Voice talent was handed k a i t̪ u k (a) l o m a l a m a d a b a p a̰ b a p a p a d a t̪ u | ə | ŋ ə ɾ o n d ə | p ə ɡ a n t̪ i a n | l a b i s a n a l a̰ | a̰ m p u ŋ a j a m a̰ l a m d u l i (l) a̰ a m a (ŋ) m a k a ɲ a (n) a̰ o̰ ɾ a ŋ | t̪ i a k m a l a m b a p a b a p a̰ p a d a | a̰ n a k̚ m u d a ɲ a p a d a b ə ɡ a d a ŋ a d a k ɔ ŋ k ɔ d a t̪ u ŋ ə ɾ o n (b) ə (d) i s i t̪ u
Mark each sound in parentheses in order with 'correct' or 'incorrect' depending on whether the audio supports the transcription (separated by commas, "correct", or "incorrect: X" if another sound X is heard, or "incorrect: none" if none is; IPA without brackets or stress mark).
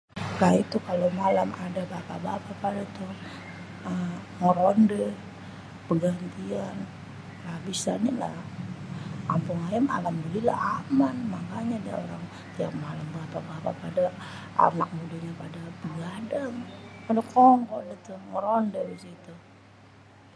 correct, correct, incorrect: n, incorrect: d, incorrect: d, incorrect: b